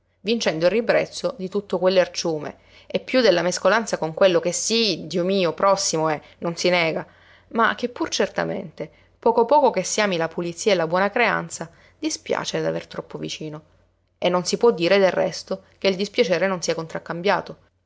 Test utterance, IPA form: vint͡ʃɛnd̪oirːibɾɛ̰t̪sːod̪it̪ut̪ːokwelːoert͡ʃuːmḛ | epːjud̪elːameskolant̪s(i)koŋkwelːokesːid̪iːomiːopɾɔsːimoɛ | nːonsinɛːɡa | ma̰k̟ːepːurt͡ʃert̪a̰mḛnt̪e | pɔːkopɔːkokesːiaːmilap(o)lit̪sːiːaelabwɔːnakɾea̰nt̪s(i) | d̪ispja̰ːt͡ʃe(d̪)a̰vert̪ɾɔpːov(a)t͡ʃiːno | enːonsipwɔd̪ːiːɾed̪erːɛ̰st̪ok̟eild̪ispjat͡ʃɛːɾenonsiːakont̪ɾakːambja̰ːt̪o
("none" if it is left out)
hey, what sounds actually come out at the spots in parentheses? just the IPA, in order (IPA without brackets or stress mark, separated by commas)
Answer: a, u, a, d̪, i